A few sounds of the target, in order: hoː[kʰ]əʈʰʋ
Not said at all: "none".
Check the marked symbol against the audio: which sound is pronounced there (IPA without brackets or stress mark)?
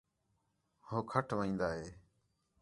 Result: kʰ